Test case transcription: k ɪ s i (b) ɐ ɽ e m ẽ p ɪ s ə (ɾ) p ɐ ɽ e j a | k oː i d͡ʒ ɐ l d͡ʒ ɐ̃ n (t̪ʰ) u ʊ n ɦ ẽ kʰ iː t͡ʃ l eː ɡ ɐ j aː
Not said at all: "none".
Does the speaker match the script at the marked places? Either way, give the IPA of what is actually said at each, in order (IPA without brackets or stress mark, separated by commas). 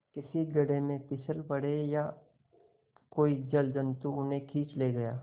ɡ, l, t̪